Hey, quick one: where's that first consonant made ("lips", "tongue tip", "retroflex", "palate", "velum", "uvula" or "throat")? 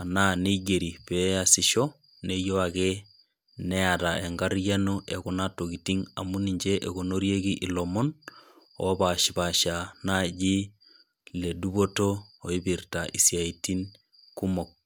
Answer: tongue tip